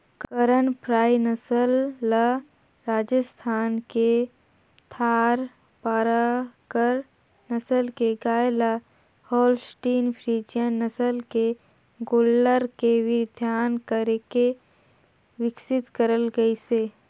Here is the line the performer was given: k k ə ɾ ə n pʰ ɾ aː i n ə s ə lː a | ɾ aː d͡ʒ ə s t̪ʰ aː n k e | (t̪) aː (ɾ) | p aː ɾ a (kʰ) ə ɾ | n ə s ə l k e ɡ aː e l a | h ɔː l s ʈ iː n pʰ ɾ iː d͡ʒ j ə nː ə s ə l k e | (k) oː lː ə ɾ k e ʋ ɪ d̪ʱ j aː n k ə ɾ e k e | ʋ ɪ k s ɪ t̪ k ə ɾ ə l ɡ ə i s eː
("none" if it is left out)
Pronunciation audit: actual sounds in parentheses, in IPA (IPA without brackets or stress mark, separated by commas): t̪ʰ, ɾ, k, ɡ